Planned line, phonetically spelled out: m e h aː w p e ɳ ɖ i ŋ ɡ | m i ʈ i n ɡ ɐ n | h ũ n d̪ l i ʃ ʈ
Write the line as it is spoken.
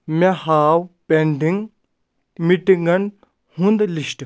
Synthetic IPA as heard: m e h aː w p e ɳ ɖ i ŋ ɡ | m i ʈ i ŋ ɡ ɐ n | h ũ n d̪ l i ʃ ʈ